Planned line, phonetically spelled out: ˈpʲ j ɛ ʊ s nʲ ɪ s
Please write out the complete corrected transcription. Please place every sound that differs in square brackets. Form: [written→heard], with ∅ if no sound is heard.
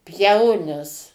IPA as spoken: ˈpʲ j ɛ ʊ [s→∅] nʲ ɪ s